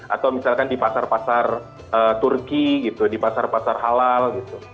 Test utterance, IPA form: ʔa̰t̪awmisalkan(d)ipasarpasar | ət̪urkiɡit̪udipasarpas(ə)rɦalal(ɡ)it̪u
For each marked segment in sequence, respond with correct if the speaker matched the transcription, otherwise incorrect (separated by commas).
correct, incorrect, correct